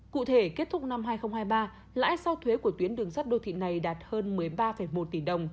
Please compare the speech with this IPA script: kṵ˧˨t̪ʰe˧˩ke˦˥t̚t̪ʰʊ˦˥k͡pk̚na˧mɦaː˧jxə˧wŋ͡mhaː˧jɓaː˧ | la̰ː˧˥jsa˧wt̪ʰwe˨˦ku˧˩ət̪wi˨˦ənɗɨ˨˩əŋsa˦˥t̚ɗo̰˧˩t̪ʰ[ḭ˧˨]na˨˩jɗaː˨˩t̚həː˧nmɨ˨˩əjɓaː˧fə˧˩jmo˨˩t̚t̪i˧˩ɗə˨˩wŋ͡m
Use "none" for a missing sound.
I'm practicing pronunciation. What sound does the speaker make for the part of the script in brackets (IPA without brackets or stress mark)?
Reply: ḭ˧˨